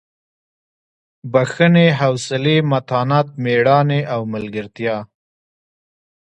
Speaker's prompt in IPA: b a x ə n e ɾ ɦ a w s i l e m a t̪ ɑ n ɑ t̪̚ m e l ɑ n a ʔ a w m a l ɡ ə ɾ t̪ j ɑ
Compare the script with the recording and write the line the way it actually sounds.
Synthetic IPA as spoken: b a x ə n e ɦ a w s ɪ l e m a t̪ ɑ n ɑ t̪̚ m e ɽ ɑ n e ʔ a w m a l ɡ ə ɾ t̪ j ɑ